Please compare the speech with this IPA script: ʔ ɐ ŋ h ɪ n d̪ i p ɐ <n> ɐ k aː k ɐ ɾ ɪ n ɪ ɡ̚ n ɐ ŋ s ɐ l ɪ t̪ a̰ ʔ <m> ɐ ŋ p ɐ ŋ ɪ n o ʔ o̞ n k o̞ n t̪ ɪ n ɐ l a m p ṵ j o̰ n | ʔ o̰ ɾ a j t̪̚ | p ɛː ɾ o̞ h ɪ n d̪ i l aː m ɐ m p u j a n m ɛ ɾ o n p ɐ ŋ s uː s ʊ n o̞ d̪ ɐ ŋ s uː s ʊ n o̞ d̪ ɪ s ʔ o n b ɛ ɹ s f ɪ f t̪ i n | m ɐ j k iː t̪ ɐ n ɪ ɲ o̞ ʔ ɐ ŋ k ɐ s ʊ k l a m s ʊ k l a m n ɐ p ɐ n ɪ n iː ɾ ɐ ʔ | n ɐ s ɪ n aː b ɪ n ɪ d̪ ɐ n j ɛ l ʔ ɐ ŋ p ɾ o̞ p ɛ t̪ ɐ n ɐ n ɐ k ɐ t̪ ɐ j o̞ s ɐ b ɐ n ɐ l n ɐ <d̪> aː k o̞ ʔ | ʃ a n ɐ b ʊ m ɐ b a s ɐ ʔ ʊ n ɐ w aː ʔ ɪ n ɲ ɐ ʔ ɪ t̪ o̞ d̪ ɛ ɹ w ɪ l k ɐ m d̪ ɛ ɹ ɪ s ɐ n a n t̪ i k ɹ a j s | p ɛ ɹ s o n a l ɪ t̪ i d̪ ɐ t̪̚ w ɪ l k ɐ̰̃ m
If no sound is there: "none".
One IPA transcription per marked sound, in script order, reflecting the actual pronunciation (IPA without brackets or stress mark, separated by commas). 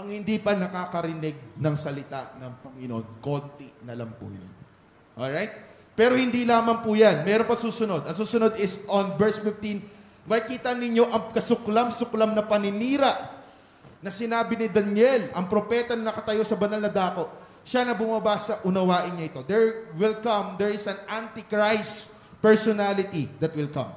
n, n, d̪